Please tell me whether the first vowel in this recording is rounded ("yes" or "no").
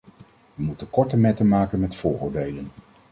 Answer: no